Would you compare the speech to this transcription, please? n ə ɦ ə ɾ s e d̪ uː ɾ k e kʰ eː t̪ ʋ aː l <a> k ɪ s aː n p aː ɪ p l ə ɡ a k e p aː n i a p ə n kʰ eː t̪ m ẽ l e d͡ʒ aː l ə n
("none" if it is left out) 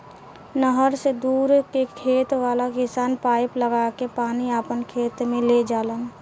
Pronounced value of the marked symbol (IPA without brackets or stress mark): a